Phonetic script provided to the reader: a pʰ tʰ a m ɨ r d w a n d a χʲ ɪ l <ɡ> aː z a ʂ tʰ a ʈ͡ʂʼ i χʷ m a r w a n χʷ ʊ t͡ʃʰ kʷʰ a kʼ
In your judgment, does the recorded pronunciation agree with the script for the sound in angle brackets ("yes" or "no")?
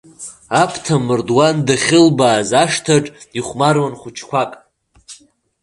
no